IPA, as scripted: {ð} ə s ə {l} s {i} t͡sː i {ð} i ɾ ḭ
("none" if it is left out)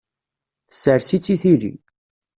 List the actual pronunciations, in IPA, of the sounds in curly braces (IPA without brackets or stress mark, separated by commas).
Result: θ, ɾ, i, θ